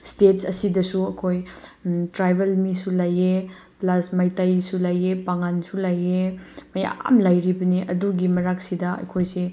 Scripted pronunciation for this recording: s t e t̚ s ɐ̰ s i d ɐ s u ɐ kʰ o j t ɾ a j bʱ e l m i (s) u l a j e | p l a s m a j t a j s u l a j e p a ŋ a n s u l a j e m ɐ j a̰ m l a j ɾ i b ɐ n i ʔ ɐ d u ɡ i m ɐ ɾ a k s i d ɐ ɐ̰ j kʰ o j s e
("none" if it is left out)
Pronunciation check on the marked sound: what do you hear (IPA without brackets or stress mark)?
s